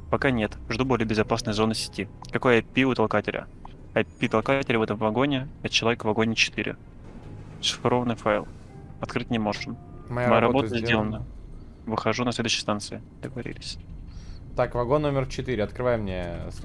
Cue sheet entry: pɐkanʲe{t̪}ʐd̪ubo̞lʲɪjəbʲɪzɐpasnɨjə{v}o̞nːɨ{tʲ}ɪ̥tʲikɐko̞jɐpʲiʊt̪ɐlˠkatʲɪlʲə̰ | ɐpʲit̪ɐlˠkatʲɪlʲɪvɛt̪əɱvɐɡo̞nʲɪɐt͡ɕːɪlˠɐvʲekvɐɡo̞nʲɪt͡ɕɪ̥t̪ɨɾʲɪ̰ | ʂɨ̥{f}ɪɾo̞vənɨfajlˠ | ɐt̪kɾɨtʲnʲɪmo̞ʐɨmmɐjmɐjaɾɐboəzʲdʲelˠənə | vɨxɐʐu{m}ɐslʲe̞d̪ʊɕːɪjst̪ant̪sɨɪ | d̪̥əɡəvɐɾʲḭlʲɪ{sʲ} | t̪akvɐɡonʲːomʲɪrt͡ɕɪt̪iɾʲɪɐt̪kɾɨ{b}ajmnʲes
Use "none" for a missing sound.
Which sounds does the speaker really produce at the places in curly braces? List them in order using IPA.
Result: t̪, z, sʲ, f, n, sʲ, v

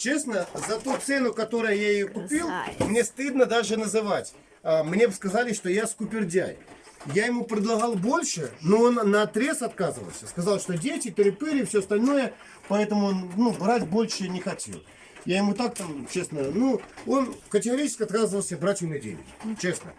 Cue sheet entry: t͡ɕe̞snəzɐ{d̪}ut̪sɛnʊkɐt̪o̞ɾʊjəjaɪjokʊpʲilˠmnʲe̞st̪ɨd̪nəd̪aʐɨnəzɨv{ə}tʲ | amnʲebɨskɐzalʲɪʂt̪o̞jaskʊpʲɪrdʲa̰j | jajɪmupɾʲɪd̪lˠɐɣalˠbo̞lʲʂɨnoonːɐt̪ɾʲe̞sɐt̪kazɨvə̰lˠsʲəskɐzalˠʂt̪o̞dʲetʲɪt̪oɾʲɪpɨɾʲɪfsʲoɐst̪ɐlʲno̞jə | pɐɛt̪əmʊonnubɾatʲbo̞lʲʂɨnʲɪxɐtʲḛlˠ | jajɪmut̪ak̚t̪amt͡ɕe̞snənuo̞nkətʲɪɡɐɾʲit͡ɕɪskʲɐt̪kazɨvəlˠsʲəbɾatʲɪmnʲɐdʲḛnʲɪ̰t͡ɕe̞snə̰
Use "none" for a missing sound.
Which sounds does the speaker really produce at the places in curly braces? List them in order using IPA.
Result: t̪, a

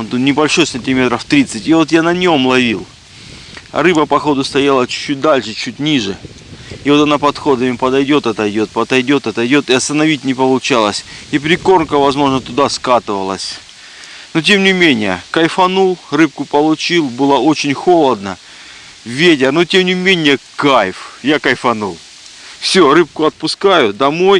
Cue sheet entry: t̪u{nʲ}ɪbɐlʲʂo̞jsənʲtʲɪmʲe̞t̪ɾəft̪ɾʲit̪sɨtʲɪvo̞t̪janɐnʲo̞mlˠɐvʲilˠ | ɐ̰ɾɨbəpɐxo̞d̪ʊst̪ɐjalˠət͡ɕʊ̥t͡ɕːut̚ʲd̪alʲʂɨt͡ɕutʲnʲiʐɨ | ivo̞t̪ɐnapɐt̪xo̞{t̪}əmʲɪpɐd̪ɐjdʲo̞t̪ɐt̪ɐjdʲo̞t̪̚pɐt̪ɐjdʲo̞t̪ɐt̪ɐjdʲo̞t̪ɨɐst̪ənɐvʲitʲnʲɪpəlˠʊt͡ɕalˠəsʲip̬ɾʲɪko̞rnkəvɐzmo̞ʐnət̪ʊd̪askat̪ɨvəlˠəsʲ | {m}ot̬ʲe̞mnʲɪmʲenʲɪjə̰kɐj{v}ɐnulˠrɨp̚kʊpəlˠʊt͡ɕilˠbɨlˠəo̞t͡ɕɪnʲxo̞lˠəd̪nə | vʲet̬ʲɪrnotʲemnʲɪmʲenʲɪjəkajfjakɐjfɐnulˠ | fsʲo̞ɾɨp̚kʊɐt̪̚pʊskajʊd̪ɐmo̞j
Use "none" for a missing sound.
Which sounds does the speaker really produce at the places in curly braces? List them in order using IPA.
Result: nʲ, d̪, n, f

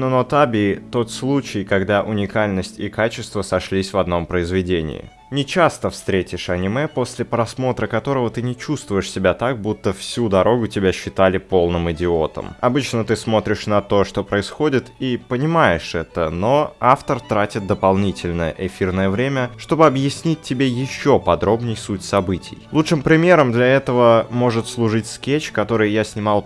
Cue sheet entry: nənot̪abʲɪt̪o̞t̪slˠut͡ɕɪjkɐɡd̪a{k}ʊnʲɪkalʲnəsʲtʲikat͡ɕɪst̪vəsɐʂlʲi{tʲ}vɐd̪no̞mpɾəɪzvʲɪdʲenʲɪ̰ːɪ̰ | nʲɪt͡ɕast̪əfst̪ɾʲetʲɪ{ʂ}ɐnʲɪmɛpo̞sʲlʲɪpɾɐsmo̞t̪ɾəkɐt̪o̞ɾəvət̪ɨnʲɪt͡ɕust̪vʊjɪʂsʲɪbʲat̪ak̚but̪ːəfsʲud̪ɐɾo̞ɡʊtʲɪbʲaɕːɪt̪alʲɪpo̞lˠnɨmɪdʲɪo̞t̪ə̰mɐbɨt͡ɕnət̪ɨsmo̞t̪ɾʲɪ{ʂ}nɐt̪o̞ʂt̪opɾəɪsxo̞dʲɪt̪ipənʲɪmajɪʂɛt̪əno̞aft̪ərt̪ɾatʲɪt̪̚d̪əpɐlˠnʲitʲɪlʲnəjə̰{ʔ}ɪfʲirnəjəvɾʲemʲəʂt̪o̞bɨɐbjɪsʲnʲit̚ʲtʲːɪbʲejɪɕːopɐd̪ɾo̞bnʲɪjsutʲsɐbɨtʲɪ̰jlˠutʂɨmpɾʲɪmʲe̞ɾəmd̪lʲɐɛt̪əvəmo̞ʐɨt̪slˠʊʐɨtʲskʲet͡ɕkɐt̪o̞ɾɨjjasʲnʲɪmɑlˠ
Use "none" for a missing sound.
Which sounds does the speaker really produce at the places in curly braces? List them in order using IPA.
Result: ʔ, sʲ, ʂ, ʂ, ʔ

